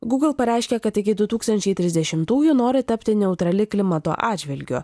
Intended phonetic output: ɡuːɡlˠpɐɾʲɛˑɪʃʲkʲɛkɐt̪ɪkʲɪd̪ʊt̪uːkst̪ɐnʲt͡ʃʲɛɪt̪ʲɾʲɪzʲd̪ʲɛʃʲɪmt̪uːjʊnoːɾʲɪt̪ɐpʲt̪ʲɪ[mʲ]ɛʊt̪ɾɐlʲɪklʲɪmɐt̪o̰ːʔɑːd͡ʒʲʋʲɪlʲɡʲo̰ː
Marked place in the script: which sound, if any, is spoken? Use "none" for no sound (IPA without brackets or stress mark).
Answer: nʲ